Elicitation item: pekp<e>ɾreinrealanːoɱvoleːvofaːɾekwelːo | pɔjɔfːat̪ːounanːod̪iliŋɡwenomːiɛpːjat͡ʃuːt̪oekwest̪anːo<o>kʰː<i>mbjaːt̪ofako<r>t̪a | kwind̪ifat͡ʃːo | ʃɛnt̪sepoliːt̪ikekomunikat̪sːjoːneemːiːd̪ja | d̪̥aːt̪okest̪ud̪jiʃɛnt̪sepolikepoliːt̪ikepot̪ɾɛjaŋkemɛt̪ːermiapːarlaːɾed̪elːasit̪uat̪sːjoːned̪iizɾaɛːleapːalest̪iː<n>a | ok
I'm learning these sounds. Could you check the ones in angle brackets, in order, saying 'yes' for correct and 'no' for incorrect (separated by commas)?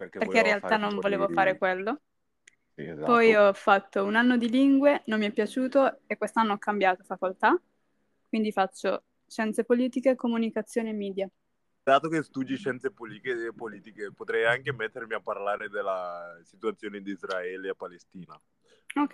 yes, no, no, no, yes